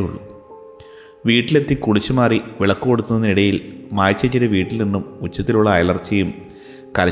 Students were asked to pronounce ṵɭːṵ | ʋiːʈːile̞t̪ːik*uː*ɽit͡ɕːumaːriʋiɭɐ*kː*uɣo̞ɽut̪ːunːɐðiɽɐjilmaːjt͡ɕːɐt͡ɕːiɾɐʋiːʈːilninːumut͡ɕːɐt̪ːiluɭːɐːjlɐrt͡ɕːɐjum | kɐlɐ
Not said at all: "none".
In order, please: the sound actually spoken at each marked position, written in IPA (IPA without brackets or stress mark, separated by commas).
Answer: u, kː